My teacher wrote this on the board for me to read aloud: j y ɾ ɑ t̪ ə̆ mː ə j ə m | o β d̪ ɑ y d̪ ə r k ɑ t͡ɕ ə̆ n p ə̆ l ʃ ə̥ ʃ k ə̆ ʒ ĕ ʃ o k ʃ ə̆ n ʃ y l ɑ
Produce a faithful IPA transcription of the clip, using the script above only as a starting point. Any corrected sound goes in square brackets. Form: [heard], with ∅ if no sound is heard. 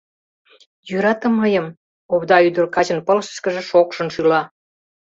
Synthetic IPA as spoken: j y ɾ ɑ t̪ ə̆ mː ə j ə m | o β d̪ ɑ y d̪ ə r k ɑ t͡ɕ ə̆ n p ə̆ l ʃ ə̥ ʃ k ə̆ ʒ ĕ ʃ o k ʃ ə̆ n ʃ y l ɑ